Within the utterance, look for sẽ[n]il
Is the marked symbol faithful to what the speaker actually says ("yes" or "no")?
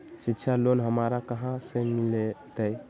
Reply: no